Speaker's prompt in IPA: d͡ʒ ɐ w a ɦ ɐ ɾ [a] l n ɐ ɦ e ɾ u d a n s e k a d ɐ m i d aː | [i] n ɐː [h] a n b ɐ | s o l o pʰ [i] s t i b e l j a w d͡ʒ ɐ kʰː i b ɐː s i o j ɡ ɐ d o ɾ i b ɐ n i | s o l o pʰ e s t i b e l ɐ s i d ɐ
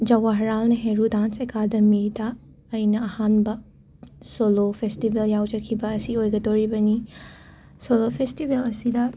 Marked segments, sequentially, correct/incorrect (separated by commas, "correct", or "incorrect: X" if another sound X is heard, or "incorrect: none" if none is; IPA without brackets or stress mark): correct, incorrect: j, correct, incorrect: e